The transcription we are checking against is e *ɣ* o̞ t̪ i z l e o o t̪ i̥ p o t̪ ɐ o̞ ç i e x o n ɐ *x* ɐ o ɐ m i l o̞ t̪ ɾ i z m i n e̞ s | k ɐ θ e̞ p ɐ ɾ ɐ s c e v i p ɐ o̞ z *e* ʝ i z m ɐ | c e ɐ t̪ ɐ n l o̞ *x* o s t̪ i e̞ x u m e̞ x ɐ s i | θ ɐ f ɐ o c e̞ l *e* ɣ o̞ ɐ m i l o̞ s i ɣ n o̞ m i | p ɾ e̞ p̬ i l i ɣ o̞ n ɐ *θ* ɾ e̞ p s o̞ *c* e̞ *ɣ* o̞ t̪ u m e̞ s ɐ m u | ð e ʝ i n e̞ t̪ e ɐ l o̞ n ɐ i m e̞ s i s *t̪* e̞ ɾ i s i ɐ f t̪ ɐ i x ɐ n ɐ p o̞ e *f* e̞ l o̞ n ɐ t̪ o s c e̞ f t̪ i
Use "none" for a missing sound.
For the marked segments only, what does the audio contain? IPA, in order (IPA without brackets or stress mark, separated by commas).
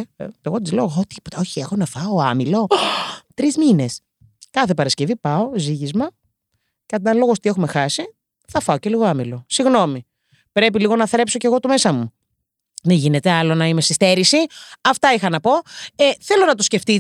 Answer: ɣ, f, i, ɣ, i, θ, c, ɣ, t̪, θ